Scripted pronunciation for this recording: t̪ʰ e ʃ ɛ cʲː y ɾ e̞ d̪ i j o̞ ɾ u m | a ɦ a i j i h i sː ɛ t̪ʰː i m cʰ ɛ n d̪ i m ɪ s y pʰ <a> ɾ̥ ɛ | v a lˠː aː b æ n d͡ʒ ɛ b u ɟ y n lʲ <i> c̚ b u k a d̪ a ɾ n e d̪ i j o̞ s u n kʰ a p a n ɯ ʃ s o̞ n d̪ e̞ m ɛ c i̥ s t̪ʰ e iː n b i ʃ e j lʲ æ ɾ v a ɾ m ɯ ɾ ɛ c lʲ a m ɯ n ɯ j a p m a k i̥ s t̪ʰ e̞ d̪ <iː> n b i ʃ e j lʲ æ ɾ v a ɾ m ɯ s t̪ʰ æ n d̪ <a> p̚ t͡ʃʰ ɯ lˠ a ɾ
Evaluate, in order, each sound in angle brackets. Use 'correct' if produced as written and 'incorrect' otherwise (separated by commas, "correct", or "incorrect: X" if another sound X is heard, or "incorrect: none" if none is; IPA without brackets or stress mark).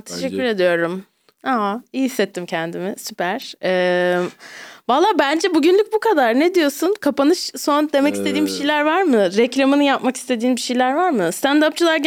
incorrect: æ, incorrect: y, correct, correct